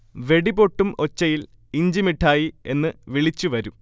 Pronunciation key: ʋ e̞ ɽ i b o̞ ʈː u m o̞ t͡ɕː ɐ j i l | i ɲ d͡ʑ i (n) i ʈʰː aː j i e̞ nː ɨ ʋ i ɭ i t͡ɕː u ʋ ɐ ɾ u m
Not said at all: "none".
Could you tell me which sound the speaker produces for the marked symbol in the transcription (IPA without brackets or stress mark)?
m